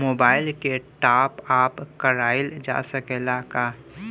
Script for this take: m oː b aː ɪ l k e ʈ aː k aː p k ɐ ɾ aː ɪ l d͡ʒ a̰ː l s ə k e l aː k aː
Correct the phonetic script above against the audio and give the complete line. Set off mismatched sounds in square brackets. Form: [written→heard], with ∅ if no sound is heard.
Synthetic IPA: m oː b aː ɪ l k e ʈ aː [k→p] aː p k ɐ ɾ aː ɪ l d͡ʒ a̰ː [l→∅] s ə k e l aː k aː